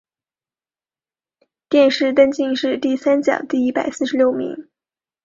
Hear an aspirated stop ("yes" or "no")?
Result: no